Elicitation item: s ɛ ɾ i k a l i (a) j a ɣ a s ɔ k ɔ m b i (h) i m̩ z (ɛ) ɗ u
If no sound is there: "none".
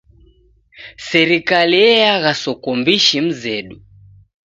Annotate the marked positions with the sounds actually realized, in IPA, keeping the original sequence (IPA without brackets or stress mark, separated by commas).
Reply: ɛ, ʃ, ɛ